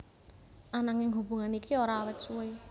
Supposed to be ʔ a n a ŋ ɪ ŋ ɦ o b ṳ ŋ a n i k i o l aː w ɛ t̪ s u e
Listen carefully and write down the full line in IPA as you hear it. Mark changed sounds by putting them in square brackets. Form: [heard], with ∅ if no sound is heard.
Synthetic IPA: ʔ a n a ŋ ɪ ŋ ɦ [u] b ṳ ŋ a n i k i o [ɾ] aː w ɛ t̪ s u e